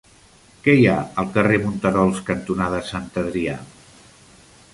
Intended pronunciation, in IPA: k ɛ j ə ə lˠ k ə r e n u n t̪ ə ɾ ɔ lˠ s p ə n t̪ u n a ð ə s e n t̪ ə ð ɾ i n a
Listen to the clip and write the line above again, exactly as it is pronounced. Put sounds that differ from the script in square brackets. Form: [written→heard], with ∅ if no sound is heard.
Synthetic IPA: k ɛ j [ə→a] ə lˠ k ə r e [n→m] u n t̪ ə ɾ ɔ lˠ s [p→k] ə n t̪ u n a ð ə s [e→a] n t̪ ə ð ɾ i [n→∅] a